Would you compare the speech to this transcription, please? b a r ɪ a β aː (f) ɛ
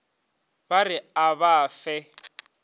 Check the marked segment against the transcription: correct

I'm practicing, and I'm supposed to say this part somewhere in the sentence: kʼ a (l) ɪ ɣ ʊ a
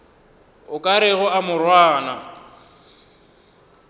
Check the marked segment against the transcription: incorrect: ɾ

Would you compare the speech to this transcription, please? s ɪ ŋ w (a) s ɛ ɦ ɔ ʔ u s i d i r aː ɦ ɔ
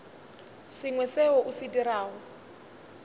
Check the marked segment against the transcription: incorrect: ɛ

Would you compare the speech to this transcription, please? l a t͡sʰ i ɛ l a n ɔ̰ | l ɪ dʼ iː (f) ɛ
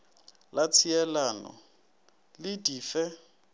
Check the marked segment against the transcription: correct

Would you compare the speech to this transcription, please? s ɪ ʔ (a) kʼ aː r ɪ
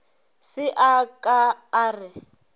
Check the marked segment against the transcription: correct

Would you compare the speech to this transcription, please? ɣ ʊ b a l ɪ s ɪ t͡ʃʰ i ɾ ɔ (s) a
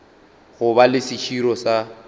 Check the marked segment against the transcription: correct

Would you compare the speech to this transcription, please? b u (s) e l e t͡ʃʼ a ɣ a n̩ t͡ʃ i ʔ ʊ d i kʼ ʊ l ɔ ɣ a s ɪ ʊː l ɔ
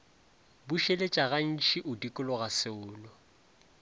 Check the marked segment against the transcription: incorrect: ʃ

